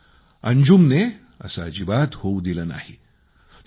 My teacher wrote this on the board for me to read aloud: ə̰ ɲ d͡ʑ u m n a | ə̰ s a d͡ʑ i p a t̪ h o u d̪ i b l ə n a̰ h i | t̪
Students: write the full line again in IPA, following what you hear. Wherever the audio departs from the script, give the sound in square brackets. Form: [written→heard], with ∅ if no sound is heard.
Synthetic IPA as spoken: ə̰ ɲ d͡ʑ u m n [a→e] | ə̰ s a d͡ʑ i [p→b] a t̪ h o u d̪ i [b→∅] l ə n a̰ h i | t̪